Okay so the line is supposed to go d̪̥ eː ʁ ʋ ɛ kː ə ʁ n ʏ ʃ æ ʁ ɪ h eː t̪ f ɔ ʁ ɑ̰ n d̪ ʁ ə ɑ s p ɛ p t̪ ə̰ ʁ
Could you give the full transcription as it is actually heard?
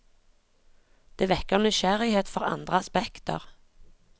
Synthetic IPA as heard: d̪̥ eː ʋ ɛ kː ə ʁ n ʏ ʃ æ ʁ ɪ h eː t̪ f ɔ ʁ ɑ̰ n d̪ ʁ ə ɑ s p ɛ k t̪ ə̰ ʁ